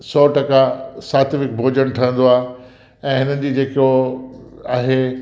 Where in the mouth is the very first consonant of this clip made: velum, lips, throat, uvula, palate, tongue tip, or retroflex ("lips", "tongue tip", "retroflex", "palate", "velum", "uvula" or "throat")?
tongue tip